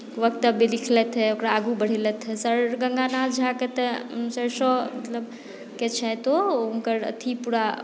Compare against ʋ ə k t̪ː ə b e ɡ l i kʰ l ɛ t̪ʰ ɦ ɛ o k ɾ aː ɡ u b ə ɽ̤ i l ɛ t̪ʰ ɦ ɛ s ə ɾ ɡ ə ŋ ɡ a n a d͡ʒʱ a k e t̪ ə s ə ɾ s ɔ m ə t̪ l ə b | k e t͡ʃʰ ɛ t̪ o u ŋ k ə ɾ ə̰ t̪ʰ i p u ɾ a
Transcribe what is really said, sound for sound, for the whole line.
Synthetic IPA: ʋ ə k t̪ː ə b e l i kʰ l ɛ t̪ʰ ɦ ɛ o k ɾ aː ɡ u b ə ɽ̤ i l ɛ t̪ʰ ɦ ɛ s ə ɾ ɡ ə ŋ ɡ a n a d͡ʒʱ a k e t̪ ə s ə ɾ s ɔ m ə t̪ l ə b | k e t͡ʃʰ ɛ t̪ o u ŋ k ə ɾ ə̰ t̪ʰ i p u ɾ a